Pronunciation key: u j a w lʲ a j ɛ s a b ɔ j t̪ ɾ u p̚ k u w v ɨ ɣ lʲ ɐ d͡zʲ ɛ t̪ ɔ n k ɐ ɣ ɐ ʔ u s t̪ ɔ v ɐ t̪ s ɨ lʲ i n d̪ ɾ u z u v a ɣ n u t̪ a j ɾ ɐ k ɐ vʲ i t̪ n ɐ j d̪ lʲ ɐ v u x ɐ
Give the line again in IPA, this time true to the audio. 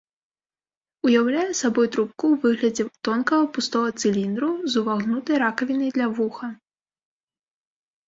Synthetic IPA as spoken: u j a w lʲ a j ɛ s a b ɔ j t̪ ɾ u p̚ k u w v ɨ ɣ lʲ ɐ d͡zʲ ɛ t̪ ɔ n k ɐ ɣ ɐ p u s t̪ ɔ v ɐ t̪ s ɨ lʲ i n d̪ ɾ u z u v a ɣ n u t̪ ɐ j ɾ a k ɐ vʲ i n ɐ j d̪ lʲ ɐ v u x ɐ

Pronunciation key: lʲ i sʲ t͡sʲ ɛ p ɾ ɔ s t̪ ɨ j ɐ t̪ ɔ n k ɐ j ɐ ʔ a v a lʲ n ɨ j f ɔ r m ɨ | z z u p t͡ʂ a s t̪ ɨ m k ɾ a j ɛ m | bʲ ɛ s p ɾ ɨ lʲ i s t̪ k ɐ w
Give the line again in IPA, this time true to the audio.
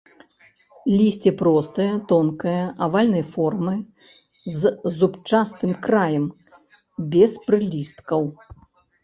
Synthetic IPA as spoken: lʲ i sʲ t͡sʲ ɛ p ɾ ɔ s t̪ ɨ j ɐ t̪ ɔ n k ɐ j ɐ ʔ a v a lʲ n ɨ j f ɔ r m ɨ | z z u p t͡ʂ a s t̪ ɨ m k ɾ a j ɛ m | bʲ ɛ s p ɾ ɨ lʲ i s t̪ k ɐ w

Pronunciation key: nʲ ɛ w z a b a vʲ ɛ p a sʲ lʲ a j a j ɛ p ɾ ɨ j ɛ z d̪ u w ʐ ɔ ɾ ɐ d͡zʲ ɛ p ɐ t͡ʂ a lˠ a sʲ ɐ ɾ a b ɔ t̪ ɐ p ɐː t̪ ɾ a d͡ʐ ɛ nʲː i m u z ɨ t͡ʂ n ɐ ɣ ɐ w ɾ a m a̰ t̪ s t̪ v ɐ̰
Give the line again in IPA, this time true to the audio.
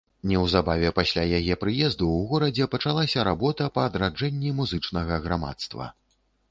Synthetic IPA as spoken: nʲ ɛ w z a b a vʲ ɛ p a sʲ lʲ a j a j ɛ p ɾ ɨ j ɛ z d̪ u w ɣ ɔ ɾ ɐ d͡zʲ ɛ p ɐ t͡ʂ a lˠ a sʲ ɐ ɾ a b ɔ t̪ ɐ p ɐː d̪ ɾ a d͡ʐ ɛ nʲː i m u z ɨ t͡ʂ n ɐ ɣ ɐ ɣ ɾ a m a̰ t̪ s t̪ v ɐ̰

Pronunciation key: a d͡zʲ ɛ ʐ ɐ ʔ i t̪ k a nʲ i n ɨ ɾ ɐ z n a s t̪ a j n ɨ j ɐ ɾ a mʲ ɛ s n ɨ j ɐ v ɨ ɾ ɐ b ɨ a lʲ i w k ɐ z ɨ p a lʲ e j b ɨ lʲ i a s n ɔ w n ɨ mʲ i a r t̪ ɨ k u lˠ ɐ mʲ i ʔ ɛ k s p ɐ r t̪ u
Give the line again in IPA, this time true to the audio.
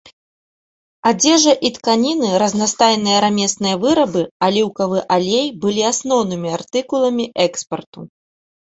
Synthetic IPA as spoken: a d͡zʲ ɛ ʐ ɐ ʔ i t̪ k a nʲ i n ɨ ɾ ɐ z n a s t̪ a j n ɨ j ɐ ɾ a mʲ ɛ s n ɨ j ɐ v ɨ ɾ ɐ b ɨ a lʲ i w k ɐ v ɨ ʔ a lʲ e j b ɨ lʲ i a s n ɔ w n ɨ mʲ i a r t̪ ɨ k u lˠ ɐ mʲ i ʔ ɛ k s p ɐ r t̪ u

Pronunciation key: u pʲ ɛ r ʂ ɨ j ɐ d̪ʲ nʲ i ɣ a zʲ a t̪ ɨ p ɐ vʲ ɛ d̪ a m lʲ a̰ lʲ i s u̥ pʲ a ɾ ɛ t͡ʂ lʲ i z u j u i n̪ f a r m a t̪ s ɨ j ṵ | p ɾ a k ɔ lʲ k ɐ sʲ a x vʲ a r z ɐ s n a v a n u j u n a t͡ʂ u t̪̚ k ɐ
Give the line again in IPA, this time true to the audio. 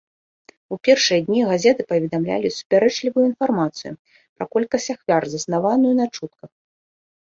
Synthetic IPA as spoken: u pʲ ɛ r ʂ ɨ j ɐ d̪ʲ nʲ i ɣ a zʲ ɛ t̪ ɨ p ɐ vʲ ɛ d̪ a m lʲ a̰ lʲ i s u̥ pʲ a ɾ ɛ t͡ʂ lʲ i v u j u i n̪ f a r m a t̪ s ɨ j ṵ | p ɾ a k ɔ lʲ k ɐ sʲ a x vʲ a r z ɐ s n a v a n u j u n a t͡ʂ u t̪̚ k ɐ

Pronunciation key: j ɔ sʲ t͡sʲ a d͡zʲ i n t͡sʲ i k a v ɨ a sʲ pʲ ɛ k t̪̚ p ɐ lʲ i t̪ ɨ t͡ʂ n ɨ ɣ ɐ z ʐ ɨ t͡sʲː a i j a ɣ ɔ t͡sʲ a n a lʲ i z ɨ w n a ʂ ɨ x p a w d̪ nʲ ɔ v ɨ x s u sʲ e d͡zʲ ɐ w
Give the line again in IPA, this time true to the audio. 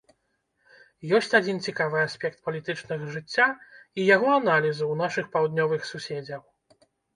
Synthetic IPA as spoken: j ɔ sʲ t͡sʲ a d͡zʲ i n t͡sʲ i k a v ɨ a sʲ pʲ ɛ k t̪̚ p ɐ lʲ i t̪ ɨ t͡ʂ n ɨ ɣ ɐ ʐ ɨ t͡sʲː a i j a ɣ ɔ a n a lʲ i z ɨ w n a ʂ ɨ x p a w d̪ nʲ ɔ v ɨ x s u sʲ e d͡zʲ ɐ w

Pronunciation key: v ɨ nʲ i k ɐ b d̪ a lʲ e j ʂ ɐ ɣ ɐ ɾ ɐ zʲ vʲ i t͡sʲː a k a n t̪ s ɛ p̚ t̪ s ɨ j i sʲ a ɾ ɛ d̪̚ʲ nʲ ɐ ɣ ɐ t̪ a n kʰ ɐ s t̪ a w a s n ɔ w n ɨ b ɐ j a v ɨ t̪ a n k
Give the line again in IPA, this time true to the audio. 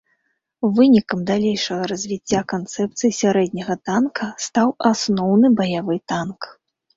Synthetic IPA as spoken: v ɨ nʲ i k ɐ m d̪ a lʲ e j ʂ ɐ ɣ ɐ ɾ ɐ zʲ vʲ i t͡sʲː a k a n t̪ s ɛ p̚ t̪ s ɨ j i sʲ a ɾ ɛ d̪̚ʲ nʲ ɐ ɣ ɐ t̪ a n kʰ ɐ s t̪ a w a s n ɔ w n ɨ b ɐ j a v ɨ t̪ a n k

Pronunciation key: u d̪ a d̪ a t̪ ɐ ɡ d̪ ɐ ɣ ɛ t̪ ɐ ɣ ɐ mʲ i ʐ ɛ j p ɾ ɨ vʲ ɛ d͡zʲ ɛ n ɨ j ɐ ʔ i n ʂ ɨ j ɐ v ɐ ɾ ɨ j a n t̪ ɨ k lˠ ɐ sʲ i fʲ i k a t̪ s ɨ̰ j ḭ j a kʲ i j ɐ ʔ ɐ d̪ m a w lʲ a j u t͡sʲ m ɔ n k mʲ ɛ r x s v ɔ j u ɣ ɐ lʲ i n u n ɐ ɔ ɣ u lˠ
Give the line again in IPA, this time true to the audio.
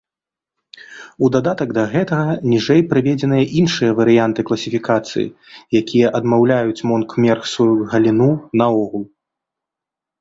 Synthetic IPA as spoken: u d̪ a d̪ a t̪ ɐ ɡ d̪ ɐ ɣ ɛ t̪ ɐ ɣ ɐ nʲ i ʐ ɛ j p ɾ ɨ vʲ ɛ d͡zʲ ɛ n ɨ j ɐ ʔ i n ʂ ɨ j ɐ v ɐ ɾ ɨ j a n t̪ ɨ k lˠ ɐ sʲ i fʲ i k a t̪ s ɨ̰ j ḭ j a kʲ i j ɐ ʔ ɐ d̪ m a w lʲ a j u t͡sʲ m ɔ n k mʲ ɛ r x s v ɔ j u ɣ ɐ lʲ i n u n ɐ ɔ ɣ u lˠ

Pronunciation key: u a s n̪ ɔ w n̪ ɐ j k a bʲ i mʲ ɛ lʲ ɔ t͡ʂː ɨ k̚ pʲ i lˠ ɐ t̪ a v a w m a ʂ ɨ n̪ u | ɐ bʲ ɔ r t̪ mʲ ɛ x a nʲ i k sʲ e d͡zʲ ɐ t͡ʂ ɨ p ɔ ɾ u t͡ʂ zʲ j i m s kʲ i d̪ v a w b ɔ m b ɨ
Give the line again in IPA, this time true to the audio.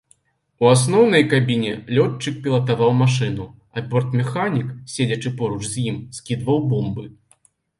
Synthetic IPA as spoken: u a s n̪ ɔ w n̪ ɐ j k a bʲ i nʲ ɛ lʲ ɔ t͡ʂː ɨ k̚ pʲ i lˠ ɐ t̪ a v a w m a ʂ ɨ n̪ u | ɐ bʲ ɔ r t̪ mʲ ɛ x a nʲ i k sʲ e d͡zʲ ɐ t͡ʂ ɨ p ɔ ɾ u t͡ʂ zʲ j i m s kʲ i d̪ v ɐ w b ɔ m b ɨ

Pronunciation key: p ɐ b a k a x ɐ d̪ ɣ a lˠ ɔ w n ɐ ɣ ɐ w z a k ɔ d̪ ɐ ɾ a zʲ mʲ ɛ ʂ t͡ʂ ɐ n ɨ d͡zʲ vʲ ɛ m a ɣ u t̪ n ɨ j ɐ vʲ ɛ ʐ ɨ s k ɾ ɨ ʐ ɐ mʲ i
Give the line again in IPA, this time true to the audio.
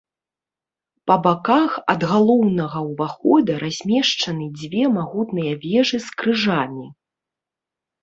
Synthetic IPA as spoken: p ɐ b a k a x ɐ d̪ ɣ a lˠ ɔ w n ɐ ɣ ɐ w v a x ɔ d̪ ɐ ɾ a zʲ mʲ ɛ ʂ t͡ʂ ɐ n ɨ d͡zʲ vʲ ɛ m a ɣ u t̪ n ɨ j ɐ vʲ ɛ ʐ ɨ s k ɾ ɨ ʐ a mʲ i

